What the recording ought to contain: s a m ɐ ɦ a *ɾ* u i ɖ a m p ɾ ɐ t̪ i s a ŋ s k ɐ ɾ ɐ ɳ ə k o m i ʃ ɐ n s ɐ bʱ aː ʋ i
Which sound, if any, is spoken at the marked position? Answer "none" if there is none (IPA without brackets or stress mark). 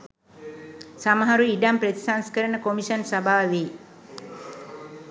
ɾ